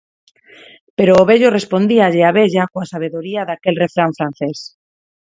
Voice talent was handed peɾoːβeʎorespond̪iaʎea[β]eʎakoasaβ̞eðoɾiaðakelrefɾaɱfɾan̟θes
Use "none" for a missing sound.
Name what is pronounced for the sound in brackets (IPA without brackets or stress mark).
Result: β